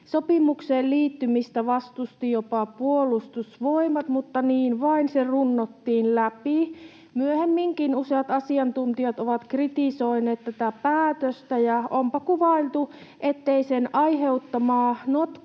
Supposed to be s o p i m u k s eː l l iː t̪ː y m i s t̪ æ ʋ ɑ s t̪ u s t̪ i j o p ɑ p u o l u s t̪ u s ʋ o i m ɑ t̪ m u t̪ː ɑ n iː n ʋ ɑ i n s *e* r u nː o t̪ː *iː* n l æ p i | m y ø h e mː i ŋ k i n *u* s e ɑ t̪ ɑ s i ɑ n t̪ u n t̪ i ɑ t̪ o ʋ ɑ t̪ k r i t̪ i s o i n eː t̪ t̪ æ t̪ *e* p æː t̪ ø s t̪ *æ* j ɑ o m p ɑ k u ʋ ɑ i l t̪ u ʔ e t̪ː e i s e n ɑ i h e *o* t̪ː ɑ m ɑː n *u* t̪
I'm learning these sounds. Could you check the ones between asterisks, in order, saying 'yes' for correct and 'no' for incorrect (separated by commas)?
yes, yes, yes, no, yes, no, no